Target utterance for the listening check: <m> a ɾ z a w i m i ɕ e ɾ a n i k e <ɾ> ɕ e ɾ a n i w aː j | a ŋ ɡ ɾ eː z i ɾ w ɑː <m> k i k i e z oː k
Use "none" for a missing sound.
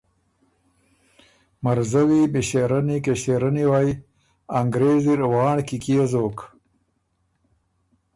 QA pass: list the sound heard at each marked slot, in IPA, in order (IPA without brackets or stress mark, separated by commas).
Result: m, none, ɳ